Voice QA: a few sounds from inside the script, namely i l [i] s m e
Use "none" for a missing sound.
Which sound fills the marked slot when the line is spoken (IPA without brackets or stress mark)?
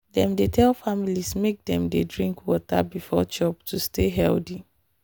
i